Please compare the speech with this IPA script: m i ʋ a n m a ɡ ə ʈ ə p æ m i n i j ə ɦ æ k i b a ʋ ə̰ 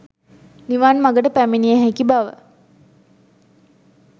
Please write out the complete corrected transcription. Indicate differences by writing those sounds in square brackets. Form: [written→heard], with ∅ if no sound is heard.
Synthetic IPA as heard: [m→n] i ʋ a n m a ɡ ə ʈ ə p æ m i n i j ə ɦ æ k i b a ʋ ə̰